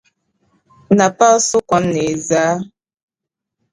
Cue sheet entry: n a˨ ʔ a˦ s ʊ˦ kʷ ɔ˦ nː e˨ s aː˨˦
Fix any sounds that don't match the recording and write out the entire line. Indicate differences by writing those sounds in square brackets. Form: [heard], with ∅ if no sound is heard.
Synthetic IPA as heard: n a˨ [p] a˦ s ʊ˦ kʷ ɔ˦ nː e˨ [z] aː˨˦